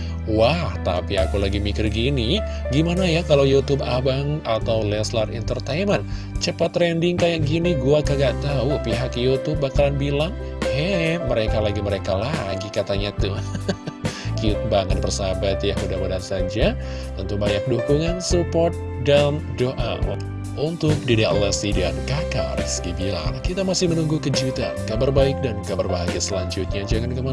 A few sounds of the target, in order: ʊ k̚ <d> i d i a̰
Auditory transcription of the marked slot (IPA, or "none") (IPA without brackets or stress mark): d